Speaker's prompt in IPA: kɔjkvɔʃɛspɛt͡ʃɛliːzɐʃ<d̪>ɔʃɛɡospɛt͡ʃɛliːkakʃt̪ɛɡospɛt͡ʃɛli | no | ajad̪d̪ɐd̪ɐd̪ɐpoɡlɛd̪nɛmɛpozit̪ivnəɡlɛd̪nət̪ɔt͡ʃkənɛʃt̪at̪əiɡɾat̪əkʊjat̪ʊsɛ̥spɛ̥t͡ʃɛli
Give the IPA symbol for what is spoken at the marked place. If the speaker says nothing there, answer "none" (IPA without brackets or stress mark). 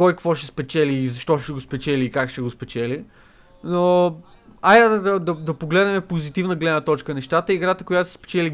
t̪